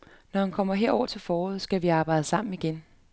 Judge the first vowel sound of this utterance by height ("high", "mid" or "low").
low